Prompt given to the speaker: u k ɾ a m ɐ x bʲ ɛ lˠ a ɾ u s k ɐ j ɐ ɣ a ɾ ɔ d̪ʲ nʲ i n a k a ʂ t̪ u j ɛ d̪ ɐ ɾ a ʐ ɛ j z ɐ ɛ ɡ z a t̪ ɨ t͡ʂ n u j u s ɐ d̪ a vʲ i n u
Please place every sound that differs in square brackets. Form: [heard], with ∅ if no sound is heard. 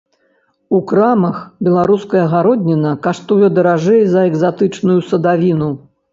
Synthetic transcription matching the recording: u k ɾ a m ɐ x bʲ ɛ lˠ a ɾ u s k ɐ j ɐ ɣ a ɾ ɔ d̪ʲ nʲ i n [ɐ] k a ʂ t̪ u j ɛ d̪ ɐ ɾ a ʐ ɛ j z ɐ ɛ ɡ z a t̪ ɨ t͡ʂ n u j u s ɐ d̪ a vʲ i n u